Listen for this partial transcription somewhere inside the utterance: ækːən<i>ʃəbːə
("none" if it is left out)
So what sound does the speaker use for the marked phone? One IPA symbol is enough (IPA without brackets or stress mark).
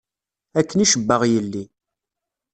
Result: i